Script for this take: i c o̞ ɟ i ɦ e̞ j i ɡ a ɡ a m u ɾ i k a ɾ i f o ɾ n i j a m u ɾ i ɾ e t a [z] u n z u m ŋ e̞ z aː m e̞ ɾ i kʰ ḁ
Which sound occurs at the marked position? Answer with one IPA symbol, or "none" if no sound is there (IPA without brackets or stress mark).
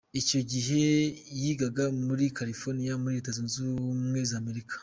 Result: z